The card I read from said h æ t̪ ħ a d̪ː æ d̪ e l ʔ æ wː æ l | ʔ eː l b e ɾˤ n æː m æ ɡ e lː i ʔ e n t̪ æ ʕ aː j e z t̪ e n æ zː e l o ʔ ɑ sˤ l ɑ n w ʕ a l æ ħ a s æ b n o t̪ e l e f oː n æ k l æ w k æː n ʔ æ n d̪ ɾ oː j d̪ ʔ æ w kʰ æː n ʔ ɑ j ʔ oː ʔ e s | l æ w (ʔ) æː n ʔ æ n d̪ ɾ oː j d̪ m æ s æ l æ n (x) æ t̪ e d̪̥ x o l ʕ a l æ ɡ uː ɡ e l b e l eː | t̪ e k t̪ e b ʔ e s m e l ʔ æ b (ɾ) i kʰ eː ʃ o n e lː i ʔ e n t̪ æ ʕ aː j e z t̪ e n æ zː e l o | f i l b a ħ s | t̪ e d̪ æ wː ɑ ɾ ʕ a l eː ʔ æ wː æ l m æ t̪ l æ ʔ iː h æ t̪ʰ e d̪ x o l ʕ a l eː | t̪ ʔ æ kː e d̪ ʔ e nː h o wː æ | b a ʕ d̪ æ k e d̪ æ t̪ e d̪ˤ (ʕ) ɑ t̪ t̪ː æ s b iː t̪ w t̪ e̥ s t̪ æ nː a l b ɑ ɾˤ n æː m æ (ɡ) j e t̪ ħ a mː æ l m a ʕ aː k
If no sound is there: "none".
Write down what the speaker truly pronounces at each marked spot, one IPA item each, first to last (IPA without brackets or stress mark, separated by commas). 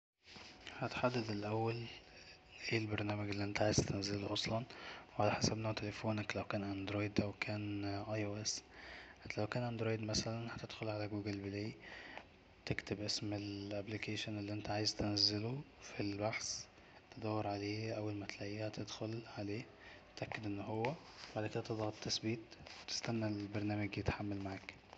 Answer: k, h, l, ɣ, ɡ